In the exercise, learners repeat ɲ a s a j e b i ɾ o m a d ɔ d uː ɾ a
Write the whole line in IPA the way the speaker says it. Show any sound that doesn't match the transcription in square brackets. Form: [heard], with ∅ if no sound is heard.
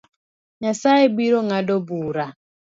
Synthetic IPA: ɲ a s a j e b i ɾ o [ŋ] a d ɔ [b] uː ɾ a